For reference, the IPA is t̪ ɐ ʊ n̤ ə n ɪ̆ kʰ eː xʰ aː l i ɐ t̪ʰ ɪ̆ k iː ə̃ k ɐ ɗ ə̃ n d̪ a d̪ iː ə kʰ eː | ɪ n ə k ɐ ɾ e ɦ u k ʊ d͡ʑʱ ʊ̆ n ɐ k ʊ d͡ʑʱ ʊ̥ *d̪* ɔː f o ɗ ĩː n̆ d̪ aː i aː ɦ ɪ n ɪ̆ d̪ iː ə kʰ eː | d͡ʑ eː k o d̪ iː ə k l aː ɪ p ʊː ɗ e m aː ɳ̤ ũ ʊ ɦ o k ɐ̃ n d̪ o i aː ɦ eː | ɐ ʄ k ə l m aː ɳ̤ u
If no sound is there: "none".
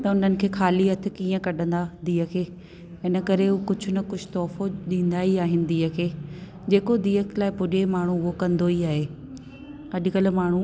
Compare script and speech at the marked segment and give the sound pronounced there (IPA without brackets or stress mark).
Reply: t̪